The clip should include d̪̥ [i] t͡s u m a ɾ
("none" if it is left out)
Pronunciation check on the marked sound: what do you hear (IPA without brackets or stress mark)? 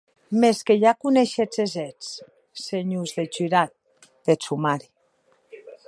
e